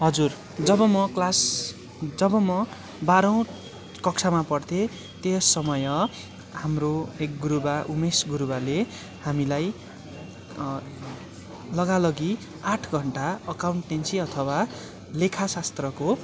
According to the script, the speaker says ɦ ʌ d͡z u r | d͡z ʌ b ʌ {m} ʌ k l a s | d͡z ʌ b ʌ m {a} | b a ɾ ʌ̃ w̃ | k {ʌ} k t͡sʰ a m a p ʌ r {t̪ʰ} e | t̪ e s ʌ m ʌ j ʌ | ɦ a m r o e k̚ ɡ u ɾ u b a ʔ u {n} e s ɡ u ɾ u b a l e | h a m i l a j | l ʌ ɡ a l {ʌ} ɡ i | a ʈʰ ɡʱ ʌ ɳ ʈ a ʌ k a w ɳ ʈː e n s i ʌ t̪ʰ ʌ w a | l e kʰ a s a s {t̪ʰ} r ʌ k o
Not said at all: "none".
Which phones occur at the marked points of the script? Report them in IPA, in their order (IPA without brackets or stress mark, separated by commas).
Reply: m, ʌ, ʌ, t̪ʰ, m, ʌ, t̪